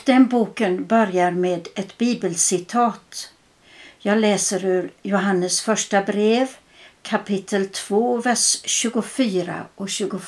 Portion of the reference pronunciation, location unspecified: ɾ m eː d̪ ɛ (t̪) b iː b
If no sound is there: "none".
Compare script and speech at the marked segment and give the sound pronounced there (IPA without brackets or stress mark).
t̪